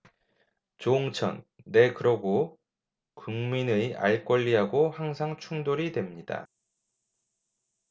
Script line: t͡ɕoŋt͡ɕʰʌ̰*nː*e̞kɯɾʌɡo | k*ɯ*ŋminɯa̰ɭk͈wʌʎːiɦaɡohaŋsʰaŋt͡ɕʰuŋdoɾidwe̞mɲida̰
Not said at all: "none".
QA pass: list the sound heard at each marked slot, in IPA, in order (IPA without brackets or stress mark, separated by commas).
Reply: nː, u